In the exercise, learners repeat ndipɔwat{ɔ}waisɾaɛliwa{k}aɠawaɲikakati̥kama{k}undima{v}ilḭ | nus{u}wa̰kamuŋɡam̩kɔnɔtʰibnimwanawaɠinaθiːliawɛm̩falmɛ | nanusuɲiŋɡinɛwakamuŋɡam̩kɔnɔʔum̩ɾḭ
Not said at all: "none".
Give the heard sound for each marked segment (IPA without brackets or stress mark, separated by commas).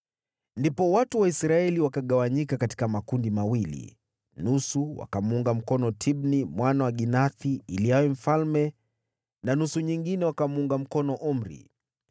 u, k, k, w, u